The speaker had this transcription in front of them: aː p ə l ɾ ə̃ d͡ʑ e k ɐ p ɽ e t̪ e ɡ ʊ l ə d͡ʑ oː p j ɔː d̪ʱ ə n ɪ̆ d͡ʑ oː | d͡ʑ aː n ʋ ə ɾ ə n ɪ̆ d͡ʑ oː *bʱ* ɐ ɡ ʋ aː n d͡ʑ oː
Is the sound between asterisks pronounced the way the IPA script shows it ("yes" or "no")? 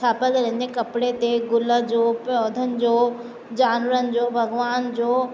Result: yes